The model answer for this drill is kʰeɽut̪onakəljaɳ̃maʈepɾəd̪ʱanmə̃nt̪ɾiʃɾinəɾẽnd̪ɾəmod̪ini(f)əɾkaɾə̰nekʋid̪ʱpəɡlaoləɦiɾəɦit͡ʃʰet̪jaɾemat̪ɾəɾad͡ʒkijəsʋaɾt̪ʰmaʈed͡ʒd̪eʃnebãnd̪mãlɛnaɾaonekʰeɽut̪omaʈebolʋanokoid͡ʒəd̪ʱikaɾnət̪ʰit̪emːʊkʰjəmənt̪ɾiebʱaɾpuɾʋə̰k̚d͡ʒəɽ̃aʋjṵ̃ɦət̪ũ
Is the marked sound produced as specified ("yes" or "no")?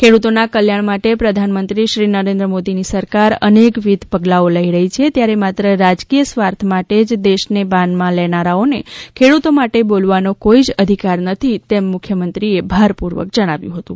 no